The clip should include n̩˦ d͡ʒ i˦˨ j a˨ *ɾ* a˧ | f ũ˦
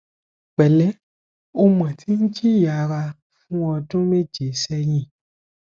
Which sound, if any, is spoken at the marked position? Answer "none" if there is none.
ɾ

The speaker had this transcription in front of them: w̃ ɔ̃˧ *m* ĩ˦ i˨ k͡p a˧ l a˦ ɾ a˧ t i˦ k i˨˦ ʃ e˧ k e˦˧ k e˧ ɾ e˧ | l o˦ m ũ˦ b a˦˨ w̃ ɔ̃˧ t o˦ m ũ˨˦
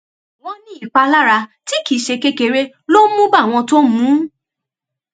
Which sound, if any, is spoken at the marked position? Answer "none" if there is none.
n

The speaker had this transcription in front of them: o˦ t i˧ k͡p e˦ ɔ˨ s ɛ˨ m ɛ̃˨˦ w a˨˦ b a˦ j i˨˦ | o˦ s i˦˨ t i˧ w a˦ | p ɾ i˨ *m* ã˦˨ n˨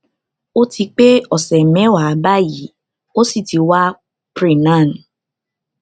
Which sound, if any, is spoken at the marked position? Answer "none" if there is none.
n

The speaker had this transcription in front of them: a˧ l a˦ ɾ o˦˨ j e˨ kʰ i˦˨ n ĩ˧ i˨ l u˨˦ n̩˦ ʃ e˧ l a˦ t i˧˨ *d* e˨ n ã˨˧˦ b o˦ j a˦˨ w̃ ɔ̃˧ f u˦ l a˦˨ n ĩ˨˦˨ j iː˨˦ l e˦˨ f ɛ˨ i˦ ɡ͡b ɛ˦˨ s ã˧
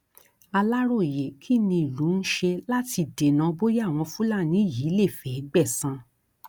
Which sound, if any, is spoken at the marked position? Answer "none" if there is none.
d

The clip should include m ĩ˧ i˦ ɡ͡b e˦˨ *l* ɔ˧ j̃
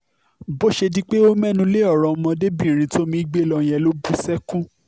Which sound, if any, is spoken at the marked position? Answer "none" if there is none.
l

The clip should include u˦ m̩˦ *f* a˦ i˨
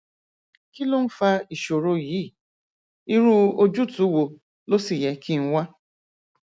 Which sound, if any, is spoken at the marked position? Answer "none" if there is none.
f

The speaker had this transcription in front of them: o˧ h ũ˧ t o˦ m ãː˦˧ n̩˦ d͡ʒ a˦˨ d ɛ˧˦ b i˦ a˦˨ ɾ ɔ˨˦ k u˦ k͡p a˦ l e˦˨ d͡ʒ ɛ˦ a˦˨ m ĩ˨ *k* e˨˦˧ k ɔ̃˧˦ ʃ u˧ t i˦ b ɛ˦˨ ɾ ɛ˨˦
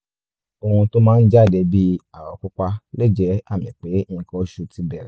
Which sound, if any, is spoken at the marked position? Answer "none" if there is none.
k͡p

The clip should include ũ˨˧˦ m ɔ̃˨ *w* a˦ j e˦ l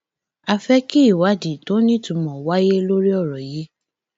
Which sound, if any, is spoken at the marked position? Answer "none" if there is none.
w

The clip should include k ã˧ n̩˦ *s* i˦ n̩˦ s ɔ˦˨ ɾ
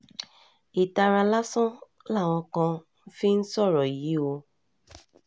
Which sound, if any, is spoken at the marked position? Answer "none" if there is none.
f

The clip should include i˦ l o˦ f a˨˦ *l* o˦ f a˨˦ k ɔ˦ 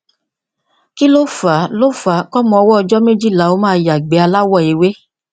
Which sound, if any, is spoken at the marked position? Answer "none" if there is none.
l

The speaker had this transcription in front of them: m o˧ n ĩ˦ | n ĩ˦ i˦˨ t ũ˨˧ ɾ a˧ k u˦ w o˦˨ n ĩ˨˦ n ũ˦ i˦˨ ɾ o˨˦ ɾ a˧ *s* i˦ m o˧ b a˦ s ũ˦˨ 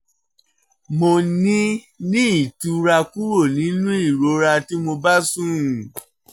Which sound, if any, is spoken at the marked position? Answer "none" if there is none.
t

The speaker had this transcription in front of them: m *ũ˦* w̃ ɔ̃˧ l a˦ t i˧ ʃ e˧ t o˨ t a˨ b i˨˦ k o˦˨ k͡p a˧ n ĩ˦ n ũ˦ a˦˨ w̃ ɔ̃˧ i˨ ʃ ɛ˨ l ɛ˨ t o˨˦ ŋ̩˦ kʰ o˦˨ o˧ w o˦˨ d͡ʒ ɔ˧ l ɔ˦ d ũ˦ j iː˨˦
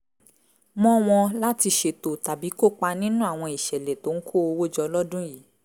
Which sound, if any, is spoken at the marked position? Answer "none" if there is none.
ɔ̃˦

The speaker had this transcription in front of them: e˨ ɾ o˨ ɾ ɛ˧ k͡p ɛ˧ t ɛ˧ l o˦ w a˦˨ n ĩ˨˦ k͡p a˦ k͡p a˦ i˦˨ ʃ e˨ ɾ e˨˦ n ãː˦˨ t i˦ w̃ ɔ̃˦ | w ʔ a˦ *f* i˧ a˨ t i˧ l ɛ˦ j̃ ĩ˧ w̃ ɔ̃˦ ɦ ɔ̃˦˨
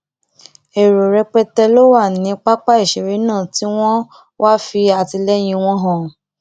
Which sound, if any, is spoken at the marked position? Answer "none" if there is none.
f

